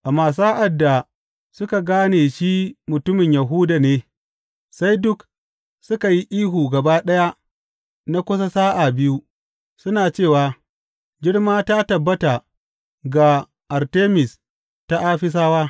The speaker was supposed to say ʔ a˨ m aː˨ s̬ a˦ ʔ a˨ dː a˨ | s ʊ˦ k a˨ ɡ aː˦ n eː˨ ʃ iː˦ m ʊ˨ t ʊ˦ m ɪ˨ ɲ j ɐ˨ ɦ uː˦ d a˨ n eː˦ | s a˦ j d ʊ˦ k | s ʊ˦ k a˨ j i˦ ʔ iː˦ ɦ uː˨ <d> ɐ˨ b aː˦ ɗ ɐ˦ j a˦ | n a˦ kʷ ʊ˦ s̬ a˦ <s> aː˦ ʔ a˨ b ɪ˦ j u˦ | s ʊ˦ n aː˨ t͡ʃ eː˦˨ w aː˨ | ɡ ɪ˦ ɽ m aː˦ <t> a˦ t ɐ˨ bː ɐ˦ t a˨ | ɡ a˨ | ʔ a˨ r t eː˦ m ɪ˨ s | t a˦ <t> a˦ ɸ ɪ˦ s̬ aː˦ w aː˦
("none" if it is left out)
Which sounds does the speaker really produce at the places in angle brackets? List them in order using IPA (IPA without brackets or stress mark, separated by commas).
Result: ɡ, s, t, ʔ